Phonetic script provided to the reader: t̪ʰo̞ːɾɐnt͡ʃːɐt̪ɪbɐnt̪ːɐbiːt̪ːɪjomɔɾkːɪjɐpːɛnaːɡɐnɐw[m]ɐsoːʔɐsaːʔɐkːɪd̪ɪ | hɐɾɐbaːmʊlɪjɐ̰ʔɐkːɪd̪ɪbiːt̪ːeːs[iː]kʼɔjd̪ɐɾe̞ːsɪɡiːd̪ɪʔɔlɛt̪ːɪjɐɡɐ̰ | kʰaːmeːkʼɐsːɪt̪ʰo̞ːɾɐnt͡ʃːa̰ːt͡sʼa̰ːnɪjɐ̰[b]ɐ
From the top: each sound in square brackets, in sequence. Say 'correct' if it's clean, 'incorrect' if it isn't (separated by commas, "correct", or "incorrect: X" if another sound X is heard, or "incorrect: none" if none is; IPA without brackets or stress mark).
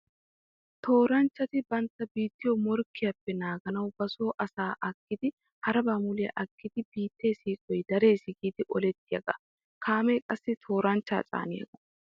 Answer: incorrect: b, correct, incorrect: ɡ